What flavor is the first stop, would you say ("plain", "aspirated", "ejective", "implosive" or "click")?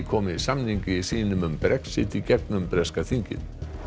aspirated